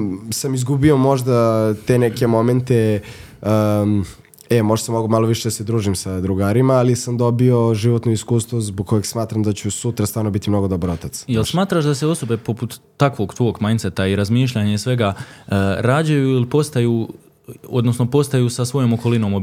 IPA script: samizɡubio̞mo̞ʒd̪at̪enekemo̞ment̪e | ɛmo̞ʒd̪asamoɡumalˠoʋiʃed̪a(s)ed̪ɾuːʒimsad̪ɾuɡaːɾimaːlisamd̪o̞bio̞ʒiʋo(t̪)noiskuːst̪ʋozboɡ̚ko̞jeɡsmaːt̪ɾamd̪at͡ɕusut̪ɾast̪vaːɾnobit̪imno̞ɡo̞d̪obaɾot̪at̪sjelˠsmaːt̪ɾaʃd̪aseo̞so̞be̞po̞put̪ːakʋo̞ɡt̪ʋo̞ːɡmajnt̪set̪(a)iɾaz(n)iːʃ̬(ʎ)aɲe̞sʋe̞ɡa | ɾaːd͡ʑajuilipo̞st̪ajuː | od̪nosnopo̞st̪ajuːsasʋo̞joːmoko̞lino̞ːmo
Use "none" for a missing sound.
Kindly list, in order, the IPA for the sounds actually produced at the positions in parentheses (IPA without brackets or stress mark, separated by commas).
s, t̪, a, m, ʎ